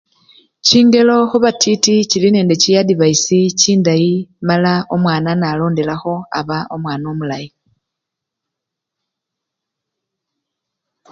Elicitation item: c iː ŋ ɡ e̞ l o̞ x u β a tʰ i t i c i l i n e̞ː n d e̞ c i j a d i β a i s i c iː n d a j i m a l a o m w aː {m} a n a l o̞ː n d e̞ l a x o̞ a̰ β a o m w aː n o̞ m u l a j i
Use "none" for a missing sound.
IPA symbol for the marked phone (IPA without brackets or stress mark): n